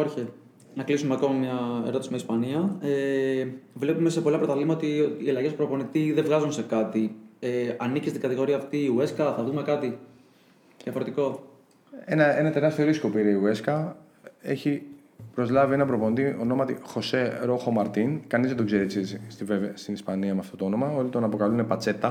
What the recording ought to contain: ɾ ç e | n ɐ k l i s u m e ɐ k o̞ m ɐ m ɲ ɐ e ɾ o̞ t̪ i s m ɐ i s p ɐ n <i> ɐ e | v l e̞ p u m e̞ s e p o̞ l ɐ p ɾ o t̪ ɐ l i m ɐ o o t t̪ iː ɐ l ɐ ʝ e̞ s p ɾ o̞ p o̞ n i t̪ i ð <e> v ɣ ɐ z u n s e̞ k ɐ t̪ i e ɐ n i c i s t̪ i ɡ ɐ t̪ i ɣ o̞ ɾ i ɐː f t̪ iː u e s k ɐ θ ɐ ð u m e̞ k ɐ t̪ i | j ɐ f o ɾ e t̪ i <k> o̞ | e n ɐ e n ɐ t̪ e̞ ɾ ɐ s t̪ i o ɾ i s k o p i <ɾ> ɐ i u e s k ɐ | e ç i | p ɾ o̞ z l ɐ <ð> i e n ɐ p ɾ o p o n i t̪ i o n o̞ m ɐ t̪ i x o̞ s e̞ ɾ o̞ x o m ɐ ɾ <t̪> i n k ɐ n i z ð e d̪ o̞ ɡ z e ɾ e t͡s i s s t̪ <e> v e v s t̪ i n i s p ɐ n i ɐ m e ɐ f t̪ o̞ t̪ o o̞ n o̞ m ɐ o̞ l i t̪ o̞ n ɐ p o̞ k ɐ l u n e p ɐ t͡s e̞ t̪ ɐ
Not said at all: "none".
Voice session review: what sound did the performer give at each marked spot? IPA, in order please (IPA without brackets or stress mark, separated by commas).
i, e, k, ɾ, v, t̪, i